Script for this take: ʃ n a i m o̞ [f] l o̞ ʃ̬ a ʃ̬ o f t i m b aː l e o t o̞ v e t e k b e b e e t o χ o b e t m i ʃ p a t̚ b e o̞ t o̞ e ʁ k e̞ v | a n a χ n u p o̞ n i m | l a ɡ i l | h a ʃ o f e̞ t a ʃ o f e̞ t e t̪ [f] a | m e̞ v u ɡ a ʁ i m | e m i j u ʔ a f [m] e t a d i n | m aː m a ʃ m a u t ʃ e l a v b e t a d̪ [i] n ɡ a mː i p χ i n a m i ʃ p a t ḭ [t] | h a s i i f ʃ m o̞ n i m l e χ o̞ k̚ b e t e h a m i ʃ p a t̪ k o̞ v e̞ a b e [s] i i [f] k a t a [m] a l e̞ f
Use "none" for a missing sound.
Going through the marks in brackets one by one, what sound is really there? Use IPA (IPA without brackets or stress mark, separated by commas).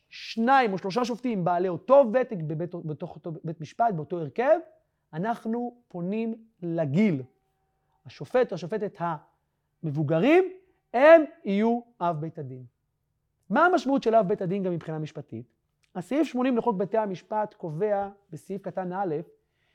ʃ, h, b, i, t, s, f, n